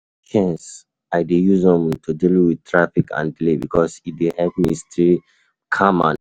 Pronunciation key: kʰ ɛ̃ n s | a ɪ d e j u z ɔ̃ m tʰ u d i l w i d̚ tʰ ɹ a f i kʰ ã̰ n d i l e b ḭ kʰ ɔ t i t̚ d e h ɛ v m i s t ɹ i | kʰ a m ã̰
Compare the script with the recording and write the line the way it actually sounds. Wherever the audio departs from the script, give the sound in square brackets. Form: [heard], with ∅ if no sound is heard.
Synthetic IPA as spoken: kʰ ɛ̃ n s | a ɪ d e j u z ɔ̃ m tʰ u d i l w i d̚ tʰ ɹ a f i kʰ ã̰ n d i l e b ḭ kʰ ɔ [s] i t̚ d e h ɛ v m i s t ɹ i | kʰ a m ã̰